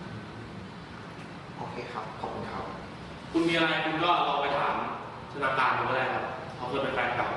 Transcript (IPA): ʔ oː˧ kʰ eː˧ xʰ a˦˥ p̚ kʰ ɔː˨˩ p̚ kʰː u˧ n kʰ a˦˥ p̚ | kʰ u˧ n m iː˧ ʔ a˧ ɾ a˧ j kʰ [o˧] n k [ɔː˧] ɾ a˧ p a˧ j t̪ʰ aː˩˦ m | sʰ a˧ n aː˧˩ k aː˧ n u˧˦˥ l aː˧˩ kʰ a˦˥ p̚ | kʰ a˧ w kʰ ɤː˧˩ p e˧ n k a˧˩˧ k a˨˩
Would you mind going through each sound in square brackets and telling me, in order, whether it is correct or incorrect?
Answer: incorrect: u˧, incorrect: ɔː˥˩

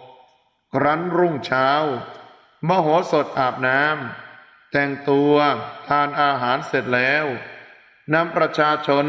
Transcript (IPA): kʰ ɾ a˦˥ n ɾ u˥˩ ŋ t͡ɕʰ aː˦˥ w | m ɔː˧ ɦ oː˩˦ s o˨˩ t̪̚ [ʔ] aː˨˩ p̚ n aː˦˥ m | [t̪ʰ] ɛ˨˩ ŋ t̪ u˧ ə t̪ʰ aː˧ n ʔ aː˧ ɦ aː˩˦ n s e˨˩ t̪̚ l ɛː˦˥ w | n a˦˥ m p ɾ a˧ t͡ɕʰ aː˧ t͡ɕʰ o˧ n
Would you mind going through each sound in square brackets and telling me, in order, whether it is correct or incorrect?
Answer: correct, incorrect: t̪

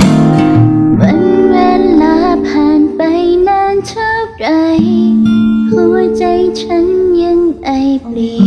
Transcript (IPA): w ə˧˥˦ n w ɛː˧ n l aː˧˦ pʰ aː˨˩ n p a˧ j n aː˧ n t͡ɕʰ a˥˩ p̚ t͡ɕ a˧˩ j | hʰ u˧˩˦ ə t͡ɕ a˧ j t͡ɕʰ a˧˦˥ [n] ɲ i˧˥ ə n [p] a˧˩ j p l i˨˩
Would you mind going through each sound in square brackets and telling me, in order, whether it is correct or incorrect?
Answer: correct, incorrect: ʔ

